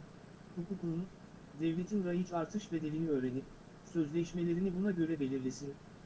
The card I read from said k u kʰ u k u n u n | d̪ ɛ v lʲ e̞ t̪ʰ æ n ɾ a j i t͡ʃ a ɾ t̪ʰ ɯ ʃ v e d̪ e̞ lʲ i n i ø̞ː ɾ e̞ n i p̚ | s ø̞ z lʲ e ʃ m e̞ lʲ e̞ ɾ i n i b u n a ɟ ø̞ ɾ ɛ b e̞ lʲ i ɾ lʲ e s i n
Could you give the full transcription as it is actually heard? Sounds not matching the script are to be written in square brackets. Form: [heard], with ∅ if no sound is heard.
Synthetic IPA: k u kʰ u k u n u n | d̪ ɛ v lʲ e̞ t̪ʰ [i] n ɾ a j i t͡ʃ a ɾ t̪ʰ ɯ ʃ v e d̪ e̞ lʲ i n i ø̞ː ɾ e̞ n i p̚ | s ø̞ z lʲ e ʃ m e̞ lʲ e̞ ɾ i n i b u n a ɟ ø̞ ɾ ɛ b e̞ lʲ i ɾ lʲ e s i n